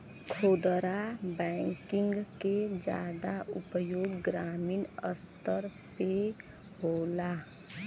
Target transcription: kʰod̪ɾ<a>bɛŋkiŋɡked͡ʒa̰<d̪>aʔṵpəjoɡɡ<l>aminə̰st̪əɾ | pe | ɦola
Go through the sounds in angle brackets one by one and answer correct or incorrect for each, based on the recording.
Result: correct, correct, incorrect: ɾ

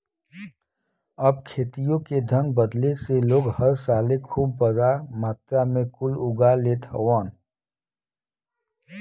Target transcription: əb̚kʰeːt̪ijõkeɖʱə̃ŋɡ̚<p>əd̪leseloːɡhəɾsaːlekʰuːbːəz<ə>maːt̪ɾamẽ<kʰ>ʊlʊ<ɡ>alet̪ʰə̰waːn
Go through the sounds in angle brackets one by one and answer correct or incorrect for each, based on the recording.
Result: incorrect: b, incorrect: a, incorrect: k, correct

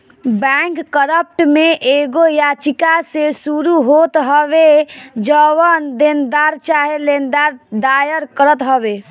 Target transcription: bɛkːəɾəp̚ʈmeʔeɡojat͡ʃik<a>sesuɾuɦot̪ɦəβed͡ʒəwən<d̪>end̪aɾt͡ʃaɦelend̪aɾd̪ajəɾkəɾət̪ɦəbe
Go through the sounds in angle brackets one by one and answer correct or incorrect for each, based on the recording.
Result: correct, correct

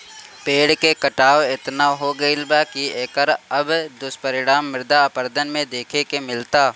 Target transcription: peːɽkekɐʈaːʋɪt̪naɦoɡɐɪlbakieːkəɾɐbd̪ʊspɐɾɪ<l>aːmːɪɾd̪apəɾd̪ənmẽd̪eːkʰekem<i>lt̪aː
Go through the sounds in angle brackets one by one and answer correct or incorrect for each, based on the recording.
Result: incorrect: ɽ, incorrect: ɪ

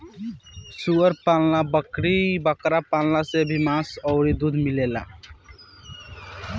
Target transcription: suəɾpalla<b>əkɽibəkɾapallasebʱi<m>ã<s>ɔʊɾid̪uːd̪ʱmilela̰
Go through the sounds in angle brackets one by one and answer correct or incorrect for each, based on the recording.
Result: correct, correct, correct

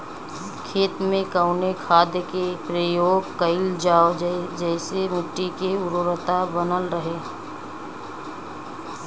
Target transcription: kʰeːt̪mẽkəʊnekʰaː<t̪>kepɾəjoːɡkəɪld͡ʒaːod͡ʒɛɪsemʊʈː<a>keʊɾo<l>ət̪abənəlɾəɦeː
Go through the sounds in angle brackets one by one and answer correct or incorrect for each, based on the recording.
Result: incorrect: d̪, incorrect: i, incorrect: ɾ

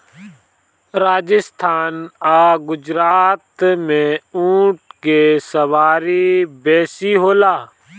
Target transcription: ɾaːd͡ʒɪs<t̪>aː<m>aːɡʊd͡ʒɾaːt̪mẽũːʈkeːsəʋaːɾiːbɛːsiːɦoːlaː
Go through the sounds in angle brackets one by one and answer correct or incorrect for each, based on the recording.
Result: incorrect: t̪ʰ, incorrect: n

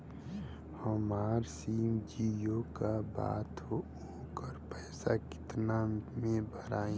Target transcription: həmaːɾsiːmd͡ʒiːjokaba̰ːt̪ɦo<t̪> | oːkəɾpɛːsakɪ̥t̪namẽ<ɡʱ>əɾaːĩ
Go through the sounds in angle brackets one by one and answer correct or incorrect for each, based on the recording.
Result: incorrect: none, incorrect: bʱ

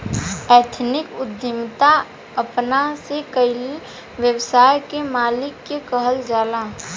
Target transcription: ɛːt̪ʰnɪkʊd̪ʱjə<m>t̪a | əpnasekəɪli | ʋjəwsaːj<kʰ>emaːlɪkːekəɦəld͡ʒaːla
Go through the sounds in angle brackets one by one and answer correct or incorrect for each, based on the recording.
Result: correct, incorrect: k

